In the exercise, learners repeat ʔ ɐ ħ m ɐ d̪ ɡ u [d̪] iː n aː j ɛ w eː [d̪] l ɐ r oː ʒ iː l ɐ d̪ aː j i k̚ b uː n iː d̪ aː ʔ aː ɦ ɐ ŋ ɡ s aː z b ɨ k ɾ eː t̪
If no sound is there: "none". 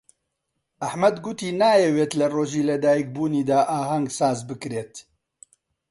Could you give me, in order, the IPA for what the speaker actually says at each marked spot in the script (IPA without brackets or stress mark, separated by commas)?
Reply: t̪, t̪